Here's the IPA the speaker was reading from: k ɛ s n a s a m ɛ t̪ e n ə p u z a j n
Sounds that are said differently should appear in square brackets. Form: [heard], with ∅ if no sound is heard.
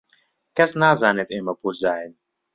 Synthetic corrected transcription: k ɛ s n a [z] a [n] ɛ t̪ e [m] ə p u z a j n

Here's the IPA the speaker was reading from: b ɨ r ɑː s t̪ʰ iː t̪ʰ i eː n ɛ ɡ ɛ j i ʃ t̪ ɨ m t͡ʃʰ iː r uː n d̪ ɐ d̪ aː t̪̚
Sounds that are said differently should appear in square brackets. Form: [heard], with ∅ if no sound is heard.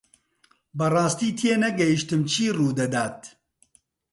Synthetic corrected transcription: b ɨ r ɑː s [t̪] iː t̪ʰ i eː n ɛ ɡ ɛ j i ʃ t̪ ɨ m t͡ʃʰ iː r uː [∅] d̪ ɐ d̪ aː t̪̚

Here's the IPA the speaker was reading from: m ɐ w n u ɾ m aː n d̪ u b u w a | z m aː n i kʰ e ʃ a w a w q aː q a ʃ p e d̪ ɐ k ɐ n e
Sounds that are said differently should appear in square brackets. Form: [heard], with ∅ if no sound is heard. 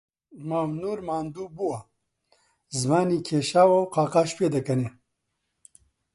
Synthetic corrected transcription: m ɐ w n u ɾ m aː n d̪ u b u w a | z m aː n i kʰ e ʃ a w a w q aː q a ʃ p e d̪ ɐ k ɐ n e

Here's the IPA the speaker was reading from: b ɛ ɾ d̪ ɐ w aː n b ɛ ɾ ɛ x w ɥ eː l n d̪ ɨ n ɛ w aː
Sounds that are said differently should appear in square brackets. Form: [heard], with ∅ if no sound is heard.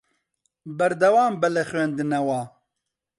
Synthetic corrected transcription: b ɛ ɾ d̪ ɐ w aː [m] b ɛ [l] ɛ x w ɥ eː [∅] n d̪ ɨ n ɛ w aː

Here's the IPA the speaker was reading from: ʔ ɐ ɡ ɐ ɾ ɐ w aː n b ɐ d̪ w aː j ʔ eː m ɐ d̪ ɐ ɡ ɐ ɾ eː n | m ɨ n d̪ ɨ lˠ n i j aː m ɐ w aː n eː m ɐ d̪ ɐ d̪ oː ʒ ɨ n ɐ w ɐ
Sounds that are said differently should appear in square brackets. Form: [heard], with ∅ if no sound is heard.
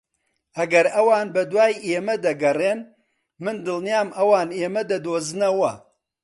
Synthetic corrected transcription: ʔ ɐ ɡ ɐ ɾ ɐ w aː n b ɐ d̪ w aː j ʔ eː m ɐ d̪ ɐ ɡ ɐ [r] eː n | m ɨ n d̪ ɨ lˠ n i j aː m ɐ w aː n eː m ɐ d̪ ɐ d̪ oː [z] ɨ n ɐ w ɐ

